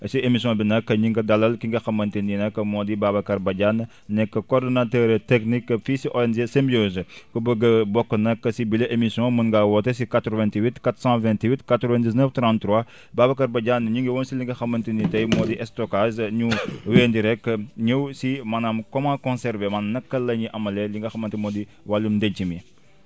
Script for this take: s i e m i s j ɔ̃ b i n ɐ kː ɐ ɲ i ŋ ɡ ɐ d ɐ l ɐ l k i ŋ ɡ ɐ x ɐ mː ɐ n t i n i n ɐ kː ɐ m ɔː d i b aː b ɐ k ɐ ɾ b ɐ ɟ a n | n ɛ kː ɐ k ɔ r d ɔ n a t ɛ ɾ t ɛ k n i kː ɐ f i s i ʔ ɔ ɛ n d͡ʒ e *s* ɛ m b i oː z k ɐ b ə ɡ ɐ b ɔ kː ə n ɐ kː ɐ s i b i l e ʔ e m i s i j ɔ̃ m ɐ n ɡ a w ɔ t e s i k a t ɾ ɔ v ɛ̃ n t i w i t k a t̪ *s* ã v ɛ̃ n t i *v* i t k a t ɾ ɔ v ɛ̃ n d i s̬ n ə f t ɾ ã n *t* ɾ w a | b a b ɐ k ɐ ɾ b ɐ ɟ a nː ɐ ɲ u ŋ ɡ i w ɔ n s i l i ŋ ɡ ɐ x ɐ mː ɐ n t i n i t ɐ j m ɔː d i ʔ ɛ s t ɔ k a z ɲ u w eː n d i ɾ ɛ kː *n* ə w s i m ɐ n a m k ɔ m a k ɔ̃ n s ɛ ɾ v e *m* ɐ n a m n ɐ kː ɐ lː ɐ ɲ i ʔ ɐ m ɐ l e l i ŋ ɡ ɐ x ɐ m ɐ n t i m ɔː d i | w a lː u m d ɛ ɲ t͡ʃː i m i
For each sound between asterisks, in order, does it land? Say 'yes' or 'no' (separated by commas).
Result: yes, yes, no, yes, no, yes